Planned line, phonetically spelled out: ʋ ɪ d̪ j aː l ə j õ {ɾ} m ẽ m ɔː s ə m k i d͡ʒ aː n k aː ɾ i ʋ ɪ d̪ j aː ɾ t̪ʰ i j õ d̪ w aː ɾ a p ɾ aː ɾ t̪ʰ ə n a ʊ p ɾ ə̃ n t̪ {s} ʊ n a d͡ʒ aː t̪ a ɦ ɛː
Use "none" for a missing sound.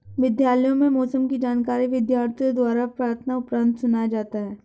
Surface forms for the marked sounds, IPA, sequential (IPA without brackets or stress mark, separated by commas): none, s